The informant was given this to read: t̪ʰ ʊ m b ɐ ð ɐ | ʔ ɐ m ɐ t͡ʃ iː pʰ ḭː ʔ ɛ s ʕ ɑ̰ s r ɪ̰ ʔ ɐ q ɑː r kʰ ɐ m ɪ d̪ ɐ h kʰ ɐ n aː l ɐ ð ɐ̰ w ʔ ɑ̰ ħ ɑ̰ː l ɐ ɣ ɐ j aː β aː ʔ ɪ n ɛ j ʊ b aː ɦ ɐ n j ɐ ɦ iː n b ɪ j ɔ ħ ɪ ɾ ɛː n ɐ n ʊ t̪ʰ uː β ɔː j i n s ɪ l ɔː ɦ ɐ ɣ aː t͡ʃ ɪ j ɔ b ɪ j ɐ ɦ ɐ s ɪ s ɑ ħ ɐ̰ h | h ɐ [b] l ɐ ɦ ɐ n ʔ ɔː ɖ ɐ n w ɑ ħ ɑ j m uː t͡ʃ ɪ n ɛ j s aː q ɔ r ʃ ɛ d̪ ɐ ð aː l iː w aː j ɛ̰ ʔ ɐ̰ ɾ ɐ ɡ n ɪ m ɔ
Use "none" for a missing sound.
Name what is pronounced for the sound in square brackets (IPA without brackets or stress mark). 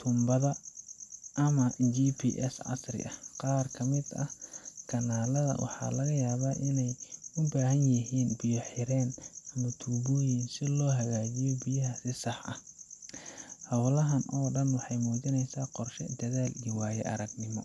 w